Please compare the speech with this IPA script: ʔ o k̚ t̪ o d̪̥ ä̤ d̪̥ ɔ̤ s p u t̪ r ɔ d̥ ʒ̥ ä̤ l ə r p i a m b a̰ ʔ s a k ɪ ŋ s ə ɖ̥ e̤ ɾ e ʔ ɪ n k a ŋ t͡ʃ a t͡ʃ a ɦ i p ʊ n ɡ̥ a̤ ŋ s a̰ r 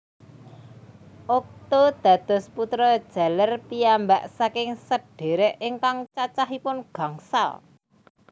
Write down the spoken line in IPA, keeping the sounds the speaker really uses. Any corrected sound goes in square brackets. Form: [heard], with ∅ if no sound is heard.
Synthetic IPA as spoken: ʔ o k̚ t̪ o d̪̥ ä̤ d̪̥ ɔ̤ s p u t̪ [ɾ] ɔ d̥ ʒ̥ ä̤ l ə r p i a m b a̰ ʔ s a k ɪ ŋ s ə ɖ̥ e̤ ɾ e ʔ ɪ [ŋ] k a ŋ t͡ʃ a t͡ʃ a ɦ i p ʊ n ɡ̥ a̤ ŋ s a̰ [l]